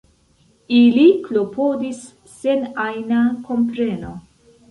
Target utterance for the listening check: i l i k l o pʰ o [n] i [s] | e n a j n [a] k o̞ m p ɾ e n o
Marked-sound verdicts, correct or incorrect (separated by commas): incorrect, incorrect, correct